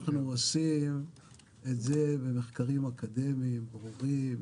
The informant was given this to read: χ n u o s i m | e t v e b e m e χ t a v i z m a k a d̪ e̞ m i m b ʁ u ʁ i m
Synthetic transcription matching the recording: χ n u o s i m | e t z e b e m e χ k a ʁ i m a k a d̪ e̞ m i m b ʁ u ʁ i m